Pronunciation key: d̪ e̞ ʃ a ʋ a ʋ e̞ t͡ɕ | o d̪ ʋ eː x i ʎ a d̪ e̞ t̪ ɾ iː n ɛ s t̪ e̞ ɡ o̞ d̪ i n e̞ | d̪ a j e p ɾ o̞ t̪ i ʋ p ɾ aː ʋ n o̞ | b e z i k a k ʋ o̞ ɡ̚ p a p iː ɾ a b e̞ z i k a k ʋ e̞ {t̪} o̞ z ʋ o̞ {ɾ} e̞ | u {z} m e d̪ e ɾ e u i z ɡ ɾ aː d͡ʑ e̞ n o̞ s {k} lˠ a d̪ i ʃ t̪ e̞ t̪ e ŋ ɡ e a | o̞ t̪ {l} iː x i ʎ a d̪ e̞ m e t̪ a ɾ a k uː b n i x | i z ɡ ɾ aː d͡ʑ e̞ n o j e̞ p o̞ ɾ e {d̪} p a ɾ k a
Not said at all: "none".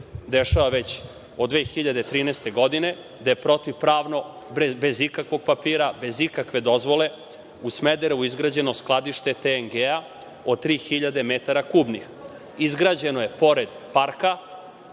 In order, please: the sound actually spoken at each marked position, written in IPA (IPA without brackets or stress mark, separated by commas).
d̪, l, s, k, ɾ, d̪